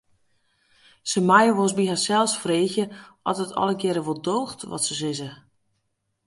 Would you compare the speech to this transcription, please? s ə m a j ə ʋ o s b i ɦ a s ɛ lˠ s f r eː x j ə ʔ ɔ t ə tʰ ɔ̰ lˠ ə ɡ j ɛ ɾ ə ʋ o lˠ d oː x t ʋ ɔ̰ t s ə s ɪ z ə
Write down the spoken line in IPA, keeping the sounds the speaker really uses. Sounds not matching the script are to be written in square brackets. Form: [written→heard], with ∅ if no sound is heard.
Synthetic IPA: s ə m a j ə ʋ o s b i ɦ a s ɛ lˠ s f r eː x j ə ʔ ɔ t ə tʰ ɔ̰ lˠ ə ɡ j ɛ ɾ ə ʋ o lˠ d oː x t ʋ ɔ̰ t s ə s ɪ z ə